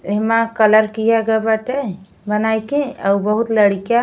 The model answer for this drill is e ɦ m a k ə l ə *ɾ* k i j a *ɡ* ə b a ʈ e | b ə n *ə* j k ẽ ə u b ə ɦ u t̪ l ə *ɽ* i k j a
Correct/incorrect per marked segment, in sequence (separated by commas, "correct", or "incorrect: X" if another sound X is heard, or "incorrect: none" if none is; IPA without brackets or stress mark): correct, correct, incorrect: a, correct